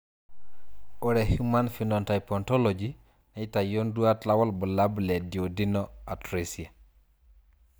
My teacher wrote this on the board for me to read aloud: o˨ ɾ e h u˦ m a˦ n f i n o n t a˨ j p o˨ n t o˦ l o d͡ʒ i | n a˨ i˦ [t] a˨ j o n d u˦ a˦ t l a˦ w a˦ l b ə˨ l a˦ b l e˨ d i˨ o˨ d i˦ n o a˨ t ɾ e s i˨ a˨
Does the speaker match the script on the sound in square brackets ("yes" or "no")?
yes